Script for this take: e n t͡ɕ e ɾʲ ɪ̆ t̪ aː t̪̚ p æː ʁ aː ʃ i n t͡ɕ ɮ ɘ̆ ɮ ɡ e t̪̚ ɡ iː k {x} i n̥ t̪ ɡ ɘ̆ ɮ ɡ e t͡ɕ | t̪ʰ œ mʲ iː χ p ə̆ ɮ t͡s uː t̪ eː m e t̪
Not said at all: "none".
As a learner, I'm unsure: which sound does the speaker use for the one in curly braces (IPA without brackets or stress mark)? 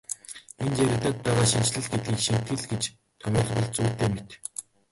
ʃ